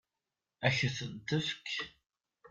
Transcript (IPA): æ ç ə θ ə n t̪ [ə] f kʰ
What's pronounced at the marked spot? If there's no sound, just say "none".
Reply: ə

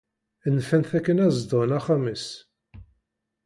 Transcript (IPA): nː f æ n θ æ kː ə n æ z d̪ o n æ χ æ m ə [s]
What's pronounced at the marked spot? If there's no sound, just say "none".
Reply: s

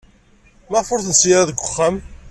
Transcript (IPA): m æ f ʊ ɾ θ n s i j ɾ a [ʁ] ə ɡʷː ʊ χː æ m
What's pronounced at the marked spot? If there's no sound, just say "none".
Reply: ð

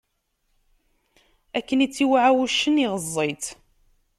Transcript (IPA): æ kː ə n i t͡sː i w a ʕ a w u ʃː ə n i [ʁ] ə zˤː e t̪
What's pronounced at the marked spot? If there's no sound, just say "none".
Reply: ʁ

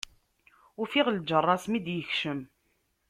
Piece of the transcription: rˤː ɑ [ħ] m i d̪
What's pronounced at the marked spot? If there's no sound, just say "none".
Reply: s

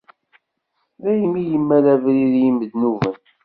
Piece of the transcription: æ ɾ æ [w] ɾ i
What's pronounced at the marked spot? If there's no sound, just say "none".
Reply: v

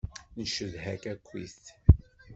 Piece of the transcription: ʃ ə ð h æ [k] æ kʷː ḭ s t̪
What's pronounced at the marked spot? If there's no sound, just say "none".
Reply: k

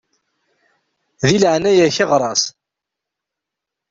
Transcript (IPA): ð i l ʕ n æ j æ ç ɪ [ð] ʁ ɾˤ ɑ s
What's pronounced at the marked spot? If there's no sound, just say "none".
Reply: none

